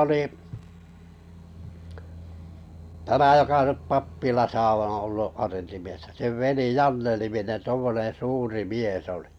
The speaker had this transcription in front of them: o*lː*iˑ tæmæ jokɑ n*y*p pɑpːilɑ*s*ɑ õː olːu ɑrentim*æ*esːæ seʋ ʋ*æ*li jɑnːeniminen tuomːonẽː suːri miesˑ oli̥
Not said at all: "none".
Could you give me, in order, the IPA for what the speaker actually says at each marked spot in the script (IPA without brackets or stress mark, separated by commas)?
l, y, s, i, e